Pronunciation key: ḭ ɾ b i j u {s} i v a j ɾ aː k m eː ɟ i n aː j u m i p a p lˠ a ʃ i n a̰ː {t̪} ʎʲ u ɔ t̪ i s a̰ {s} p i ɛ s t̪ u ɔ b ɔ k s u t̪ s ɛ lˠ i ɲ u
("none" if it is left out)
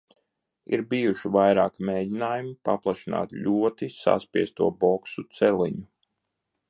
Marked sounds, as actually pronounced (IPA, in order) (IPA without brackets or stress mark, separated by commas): ʃ, t̪, s